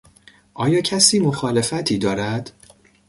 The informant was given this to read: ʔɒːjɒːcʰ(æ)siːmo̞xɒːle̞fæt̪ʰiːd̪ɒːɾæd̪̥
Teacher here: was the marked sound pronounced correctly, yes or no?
yes